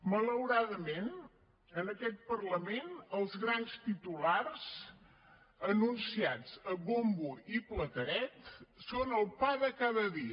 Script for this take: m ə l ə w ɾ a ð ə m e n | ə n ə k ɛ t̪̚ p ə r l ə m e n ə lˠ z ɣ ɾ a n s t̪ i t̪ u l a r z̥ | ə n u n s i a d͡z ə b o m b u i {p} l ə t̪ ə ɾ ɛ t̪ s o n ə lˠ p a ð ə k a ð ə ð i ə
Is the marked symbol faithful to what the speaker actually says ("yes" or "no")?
yes